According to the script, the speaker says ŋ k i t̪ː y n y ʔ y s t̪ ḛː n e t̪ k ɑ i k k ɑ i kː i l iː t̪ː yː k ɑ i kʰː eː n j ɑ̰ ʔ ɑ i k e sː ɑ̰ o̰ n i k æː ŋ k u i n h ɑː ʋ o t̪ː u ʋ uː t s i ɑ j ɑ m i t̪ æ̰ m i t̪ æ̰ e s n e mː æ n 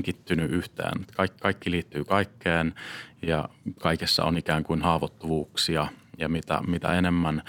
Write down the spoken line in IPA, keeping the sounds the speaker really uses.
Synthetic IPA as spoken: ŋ k i t̪ː y n y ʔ y h t̪ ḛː n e t̪ k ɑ i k k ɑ i kː i l iː t̪ː yː k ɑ i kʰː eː n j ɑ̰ k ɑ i k e sː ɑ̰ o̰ n i k æː ŋ k u i n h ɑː ʋ o t̪ː u ʋ uː k s i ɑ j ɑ m i t̪ æ̰ m i t̪ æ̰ e n e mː æ n